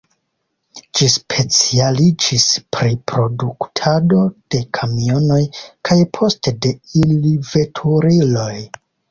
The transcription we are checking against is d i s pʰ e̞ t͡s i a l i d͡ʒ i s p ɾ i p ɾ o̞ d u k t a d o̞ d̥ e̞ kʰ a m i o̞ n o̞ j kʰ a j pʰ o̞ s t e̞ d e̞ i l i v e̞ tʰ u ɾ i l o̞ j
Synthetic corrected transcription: d͡ʒ i s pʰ e̞ t͡s i a l i d͡ʒ i s p ɾ i p ɾ o̞ d u k tʰ a d o̞ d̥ e̞ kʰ a m i o̞ n o̞ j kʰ a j pʰ o̞ s t e̞ d e̞ i l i v e̞ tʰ u ɾ i l o̞ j